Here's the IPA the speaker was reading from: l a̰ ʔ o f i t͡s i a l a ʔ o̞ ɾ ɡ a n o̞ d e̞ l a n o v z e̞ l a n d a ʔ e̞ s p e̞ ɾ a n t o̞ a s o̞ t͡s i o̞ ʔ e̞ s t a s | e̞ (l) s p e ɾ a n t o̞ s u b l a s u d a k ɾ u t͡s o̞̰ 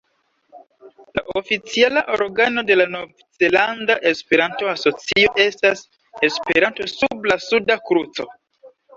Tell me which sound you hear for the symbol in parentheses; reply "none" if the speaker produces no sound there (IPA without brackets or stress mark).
none